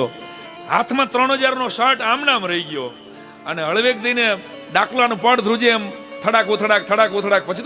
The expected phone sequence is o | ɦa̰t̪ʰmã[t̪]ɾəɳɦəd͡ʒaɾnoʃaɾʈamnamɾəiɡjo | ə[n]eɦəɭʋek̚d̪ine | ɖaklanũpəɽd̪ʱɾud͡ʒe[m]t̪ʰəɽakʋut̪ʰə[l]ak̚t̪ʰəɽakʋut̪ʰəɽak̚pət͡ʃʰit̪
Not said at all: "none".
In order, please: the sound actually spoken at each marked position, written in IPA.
t̪, n, m, ɽ

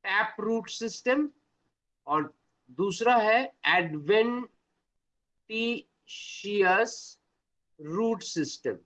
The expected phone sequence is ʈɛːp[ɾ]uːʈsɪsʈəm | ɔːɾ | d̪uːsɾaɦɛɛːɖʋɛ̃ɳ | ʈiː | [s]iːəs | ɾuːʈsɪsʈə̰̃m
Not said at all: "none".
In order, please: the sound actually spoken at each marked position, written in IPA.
ɾ, ʃ

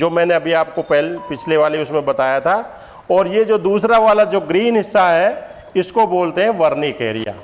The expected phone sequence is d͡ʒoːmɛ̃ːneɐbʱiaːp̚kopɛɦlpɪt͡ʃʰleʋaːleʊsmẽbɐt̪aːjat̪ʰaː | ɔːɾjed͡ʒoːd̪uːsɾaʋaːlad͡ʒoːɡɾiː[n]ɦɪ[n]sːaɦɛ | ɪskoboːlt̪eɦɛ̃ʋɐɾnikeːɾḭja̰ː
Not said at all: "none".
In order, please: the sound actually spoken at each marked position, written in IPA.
n, none

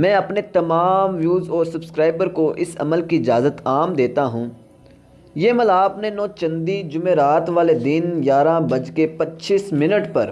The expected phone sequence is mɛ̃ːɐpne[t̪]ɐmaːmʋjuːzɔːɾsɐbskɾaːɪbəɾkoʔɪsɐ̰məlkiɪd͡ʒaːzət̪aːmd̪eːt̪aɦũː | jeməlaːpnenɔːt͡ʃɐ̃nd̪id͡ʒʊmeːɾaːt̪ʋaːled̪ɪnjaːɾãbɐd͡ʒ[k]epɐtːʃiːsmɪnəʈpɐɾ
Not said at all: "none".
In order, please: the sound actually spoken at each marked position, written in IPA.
t̪, k

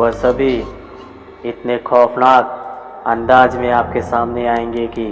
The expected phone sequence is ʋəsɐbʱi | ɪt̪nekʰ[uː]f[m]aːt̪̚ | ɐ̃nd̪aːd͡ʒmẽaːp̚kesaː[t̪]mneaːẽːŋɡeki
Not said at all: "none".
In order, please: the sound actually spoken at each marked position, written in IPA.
ɔː, n, none

